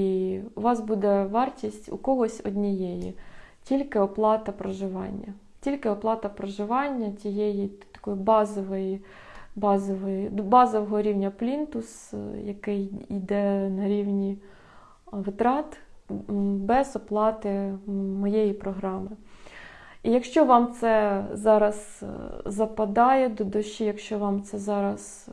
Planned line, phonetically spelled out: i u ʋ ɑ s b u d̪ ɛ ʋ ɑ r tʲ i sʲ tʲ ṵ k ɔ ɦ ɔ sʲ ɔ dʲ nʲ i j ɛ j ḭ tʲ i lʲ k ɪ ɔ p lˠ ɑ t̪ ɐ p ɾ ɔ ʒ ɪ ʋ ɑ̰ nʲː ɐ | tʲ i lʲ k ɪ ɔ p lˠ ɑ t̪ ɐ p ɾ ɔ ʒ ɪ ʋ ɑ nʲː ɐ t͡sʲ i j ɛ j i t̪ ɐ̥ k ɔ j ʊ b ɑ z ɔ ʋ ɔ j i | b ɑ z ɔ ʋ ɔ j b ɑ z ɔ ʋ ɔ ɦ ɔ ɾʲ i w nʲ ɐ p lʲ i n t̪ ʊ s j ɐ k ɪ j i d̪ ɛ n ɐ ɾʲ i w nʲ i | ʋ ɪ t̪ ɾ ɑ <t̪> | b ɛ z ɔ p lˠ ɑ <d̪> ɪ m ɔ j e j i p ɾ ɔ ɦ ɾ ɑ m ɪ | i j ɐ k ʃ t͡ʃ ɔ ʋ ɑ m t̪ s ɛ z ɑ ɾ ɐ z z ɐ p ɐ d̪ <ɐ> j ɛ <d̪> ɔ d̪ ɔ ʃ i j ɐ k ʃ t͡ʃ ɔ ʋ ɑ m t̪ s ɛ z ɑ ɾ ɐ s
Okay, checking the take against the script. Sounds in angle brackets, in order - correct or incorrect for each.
correct, incorrect: t̪, incorrect: ɑ, correct

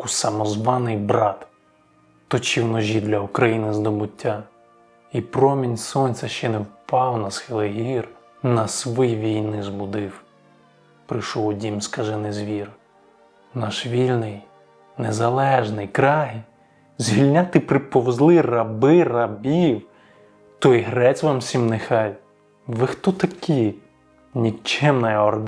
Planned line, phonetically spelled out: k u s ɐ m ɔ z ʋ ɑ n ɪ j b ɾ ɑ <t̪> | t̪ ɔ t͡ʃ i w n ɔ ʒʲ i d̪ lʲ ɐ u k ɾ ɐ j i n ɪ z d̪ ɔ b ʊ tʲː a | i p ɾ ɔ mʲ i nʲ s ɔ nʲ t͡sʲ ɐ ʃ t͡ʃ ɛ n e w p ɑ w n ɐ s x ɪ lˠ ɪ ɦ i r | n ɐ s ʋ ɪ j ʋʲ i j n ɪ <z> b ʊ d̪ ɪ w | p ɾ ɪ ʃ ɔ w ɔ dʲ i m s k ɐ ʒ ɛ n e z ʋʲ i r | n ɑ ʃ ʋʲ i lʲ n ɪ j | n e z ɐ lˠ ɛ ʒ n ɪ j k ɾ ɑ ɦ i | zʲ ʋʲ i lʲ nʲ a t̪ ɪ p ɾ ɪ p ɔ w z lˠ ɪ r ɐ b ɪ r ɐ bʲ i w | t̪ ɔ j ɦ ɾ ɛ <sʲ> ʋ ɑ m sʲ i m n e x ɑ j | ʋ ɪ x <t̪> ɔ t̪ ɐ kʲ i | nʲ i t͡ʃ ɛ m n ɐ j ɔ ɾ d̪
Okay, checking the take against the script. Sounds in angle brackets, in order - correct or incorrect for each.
correct, correct, incorrect: t͡sʲ, correct

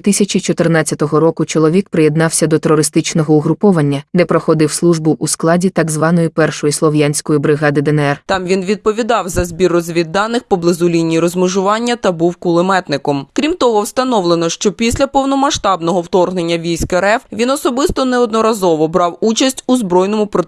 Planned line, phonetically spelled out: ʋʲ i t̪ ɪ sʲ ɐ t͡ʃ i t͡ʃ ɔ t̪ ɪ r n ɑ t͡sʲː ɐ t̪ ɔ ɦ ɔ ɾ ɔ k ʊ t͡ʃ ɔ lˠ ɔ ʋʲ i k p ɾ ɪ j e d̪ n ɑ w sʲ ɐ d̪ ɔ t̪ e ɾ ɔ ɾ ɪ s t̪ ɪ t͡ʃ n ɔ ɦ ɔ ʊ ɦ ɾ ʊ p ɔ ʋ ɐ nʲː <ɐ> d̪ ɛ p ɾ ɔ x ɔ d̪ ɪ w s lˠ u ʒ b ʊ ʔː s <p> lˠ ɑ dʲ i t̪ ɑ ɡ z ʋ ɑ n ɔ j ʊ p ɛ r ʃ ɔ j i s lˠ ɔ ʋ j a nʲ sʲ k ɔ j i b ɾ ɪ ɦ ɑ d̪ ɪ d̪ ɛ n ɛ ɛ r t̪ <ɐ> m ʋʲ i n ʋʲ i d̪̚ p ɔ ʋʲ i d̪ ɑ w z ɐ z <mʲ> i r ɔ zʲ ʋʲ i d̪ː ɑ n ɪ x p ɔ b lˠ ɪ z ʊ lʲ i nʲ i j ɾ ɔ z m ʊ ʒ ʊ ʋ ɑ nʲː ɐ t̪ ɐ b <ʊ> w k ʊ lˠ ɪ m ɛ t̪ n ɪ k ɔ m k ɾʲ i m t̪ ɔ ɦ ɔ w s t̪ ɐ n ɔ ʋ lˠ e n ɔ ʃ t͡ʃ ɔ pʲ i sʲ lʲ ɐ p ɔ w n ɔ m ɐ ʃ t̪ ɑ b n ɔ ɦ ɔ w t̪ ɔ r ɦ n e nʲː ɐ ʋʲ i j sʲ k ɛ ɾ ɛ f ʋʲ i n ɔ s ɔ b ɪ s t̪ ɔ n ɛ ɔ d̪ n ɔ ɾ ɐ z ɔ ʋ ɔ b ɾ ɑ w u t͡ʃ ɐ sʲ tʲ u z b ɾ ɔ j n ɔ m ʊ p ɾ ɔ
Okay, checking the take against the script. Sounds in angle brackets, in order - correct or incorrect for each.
correct, incorrect: k, incorrect: ɑ, incorrect: bʲ, incorrect: u

